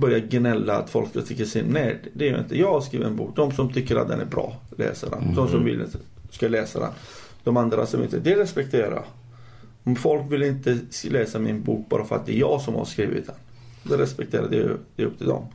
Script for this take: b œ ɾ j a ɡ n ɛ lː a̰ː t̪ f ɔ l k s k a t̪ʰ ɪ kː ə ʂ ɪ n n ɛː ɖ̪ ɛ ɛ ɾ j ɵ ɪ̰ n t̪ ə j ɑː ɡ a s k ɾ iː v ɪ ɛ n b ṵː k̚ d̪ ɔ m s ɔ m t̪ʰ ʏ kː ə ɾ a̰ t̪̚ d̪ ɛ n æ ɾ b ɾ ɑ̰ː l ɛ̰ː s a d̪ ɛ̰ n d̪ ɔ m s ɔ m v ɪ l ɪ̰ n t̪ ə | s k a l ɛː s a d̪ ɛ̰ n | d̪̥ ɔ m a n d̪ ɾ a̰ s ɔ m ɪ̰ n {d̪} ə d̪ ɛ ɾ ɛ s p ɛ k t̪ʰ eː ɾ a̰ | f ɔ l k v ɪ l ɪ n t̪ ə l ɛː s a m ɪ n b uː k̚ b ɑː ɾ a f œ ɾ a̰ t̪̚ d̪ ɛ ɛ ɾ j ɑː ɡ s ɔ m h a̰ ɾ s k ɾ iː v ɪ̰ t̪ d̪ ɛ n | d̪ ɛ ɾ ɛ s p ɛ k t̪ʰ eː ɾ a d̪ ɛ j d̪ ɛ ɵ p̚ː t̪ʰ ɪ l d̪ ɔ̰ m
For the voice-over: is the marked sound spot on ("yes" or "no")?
no